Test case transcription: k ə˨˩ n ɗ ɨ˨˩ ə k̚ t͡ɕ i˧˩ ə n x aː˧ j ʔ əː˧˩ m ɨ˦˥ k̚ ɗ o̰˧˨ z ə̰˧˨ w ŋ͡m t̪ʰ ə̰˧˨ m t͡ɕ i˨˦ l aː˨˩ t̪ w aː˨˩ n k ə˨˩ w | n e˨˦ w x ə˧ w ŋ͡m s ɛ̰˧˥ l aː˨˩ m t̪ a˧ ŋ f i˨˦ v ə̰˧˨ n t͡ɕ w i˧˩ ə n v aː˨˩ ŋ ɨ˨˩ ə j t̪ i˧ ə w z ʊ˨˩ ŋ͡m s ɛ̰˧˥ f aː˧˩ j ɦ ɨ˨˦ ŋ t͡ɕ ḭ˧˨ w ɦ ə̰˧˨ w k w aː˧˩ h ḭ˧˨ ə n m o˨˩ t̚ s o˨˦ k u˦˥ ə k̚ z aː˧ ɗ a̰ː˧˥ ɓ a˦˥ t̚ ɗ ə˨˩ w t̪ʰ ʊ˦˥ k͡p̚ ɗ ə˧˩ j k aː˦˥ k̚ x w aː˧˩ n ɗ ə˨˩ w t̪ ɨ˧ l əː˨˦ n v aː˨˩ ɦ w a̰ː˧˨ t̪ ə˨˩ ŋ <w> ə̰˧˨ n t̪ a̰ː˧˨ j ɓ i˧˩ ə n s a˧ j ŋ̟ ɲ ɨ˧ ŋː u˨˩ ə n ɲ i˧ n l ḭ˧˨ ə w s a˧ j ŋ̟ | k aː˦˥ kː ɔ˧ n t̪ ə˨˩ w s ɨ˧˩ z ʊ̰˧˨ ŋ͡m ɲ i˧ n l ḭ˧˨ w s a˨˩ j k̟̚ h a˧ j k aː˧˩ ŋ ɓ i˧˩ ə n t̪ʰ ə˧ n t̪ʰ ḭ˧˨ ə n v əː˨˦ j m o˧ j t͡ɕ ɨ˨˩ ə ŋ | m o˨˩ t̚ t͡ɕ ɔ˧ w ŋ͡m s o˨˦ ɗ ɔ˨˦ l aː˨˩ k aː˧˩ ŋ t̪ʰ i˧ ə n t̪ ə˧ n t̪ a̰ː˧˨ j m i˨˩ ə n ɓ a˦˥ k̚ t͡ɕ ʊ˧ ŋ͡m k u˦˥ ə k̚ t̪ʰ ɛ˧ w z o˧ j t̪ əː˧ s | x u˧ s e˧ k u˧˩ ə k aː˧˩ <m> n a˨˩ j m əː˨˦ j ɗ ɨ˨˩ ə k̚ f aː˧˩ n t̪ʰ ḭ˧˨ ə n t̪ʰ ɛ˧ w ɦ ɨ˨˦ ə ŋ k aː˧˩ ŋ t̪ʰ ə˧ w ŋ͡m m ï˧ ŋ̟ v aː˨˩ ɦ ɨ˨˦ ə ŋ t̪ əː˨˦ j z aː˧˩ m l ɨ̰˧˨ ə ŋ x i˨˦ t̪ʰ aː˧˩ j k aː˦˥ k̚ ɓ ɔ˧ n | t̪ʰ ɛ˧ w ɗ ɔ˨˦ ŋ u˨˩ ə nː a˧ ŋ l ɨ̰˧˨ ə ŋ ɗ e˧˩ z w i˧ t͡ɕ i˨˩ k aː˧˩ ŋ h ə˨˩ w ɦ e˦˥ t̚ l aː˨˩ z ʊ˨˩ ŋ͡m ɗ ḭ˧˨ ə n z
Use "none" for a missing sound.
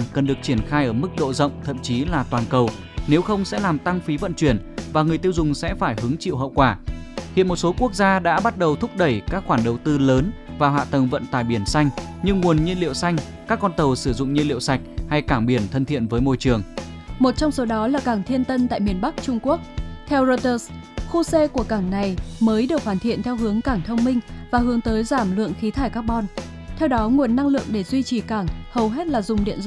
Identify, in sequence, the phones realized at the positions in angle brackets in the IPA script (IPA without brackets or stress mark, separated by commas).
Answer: v, ŋ